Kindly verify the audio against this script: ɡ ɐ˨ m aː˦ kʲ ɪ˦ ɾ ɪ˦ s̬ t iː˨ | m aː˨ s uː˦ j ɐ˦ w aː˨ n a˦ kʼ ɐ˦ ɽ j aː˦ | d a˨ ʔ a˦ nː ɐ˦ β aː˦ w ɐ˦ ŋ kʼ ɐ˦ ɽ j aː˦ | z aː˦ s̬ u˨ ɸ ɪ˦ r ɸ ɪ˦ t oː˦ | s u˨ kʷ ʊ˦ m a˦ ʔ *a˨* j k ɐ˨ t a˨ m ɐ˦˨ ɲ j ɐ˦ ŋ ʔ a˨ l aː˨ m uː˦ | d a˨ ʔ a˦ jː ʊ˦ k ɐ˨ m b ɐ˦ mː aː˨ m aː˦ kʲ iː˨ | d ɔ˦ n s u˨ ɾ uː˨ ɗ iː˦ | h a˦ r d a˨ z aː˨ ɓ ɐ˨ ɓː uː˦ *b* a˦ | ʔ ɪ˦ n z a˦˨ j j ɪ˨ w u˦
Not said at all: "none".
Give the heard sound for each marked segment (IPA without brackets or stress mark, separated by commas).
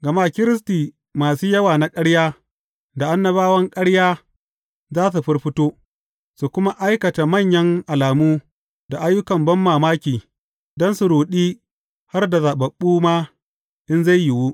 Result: a˦, m